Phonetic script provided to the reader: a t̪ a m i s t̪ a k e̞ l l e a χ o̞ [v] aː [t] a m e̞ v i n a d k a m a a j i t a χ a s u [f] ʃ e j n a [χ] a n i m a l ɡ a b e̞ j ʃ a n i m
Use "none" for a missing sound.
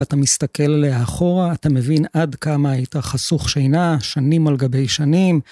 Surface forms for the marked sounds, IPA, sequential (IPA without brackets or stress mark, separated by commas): ʁ, t, χ, ʃ